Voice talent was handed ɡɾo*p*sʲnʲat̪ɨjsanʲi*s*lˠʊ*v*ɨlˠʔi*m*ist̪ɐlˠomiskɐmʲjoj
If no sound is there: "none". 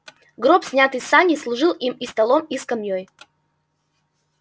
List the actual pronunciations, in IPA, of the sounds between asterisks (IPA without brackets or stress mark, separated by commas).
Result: p, s, ʐ, m